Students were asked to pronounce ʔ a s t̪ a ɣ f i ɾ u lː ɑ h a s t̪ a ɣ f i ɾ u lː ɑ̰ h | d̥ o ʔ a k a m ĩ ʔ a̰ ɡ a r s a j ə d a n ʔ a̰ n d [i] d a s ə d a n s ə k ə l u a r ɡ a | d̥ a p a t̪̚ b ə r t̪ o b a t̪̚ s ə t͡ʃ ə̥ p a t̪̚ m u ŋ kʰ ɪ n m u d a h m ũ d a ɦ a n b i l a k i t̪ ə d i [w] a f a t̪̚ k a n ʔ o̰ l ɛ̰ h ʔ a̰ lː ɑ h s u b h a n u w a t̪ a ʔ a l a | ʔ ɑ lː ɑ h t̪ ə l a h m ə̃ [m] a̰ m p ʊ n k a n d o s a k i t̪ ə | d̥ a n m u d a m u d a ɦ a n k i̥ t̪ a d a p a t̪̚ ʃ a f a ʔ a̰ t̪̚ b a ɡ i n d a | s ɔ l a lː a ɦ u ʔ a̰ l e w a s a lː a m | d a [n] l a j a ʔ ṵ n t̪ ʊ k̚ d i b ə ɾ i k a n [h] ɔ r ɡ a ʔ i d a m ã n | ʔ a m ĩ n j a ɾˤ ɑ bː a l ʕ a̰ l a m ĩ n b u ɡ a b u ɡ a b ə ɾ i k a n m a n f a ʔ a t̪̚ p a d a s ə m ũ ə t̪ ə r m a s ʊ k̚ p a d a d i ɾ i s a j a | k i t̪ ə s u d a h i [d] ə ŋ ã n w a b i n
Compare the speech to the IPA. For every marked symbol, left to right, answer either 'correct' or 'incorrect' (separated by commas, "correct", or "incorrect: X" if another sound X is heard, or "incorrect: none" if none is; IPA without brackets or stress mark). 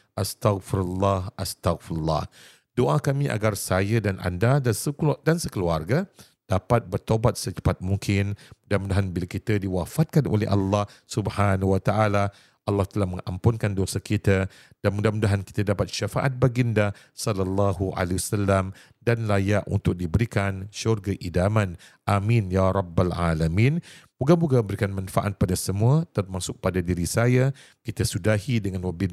incorrect: a, correct, incorrect: ŋ, correct, incorrect: ʃ, correct